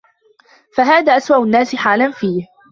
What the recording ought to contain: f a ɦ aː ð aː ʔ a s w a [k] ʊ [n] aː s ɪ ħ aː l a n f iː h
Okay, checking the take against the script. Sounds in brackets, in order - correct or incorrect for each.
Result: incorrect: ʔ, incorrect: nː

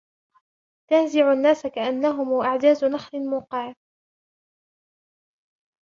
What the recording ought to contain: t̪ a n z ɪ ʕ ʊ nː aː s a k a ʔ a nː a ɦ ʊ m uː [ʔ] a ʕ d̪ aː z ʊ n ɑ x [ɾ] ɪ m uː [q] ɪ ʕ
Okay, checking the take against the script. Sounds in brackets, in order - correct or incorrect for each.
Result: correct, incorrect: l, correct

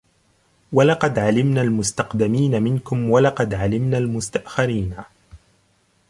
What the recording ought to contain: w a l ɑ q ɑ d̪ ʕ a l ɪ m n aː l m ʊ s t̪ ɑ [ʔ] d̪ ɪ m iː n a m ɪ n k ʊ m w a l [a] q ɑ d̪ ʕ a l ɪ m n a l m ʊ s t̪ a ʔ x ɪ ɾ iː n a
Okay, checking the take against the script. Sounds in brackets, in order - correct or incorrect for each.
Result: incorrect: q, incorrect: ɑ

